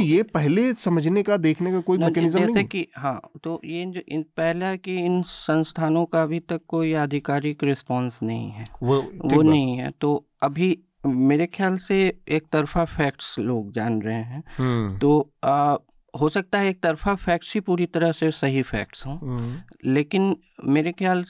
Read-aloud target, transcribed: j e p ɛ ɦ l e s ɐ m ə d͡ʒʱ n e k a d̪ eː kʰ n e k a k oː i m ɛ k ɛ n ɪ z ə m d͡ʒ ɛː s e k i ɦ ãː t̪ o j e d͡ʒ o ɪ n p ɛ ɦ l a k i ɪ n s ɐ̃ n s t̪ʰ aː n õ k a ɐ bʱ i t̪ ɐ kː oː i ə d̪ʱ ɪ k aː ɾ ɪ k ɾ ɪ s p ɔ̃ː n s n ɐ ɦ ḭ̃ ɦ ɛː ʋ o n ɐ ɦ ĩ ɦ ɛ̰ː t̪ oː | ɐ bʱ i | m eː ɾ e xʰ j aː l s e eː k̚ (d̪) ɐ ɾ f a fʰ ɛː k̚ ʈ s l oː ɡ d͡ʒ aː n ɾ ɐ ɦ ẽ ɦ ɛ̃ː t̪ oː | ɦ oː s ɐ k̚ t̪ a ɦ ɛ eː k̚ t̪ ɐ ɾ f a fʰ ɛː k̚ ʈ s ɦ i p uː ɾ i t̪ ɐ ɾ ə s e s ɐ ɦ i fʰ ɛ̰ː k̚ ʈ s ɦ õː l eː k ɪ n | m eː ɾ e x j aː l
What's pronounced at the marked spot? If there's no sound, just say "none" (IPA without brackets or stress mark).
t̪